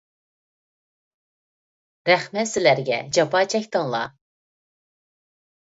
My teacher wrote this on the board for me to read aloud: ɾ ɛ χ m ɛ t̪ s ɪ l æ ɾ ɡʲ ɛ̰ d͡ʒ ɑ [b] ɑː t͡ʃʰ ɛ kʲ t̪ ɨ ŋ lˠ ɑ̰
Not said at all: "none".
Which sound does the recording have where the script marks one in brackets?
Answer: p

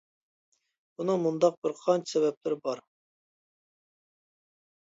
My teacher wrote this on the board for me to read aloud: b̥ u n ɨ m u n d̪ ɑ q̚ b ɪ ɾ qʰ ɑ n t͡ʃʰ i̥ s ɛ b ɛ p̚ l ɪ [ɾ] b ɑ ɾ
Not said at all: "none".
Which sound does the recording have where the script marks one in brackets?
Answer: ɾ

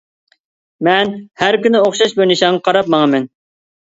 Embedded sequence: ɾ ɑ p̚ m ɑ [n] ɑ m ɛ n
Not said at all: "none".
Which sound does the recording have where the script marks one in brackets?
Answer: ŋ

